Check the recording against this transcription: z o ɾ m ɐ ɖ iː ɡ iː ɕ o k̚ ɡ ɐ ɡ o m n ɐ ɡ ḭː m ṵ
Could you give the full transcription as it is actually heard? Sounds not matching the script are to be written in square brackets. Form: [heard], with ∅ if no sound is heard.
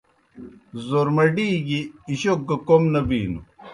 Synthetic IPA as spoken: z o ɾ m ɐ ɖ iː ɡ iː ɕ o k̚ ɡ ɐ [k] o m n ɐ [b] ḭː [n] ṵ